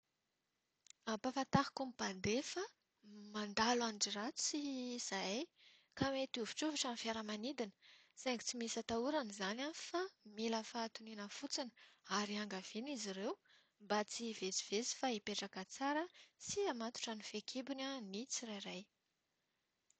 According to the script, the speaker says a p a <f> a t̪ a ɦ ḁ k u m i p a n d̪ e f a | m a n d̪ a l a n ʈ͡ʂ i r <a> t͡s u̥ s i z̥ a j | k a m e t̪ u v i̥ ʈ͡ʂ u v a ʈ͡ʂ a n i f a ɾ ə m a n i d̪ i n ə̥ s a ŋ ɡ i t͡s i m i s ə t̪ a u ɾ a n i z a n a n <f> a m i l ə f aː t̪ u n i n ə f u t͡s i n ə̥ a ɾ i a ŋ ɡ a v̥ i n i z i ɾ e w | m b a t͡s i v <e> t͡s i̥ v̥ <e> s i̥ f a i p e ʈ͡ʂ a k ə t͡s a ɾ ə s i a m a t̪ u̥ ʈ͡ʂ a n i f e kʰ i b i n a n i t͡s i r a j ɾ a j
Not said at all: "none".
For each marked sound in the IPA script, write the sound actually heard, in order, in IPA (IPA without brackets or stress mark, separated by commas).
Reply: f, a, f, e, e